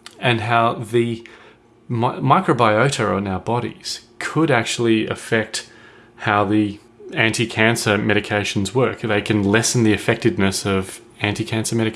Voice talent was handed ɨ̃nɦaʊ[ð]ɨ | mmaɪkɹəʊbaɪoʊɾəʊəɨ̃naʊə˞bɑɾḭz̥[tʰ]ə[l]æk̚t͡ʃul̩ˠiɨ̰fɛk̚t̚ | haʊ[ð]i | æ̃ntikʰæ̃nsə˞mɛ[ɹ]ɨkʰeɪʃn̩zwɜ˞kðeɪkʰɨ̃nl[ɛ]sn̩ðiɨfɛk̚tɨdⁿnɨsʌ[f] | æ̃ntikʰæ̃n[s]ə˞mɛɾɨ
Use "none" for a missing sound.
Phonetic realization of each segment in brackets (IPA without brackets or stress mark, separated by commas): ð, kʰ, ɾ, ð, ɾ, ɛ, v, s